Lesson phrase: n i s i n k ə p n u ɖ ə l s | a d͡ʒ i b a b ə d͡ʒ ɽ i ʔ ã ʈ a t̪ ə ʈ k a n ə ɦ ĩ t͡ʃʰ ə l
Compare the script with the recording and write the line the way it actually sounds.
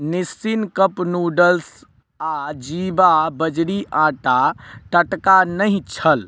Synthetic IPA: n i s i n k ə p n u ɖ ə l s | a d͡ʒ i b a b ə d͡ʒ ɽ i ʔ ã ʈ a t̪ ə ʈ k a n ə ɦ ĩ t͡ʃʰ ə l